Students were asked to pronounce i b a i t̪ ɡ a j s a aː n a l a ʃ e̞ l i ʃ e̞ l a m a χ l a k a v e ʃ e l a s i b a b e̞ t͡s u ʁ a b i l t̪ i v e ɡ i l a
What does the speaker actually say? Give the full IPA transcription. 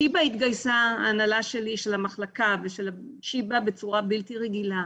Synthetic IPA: i b a i t̪ ɡ a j s a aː n a l a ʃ e̞ l i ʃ e̞ l a m a χ l a k a v e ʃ e l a ʃ i b a b e̞ t͡s u ʁ a b i l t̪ i ʁ e ɡ i l a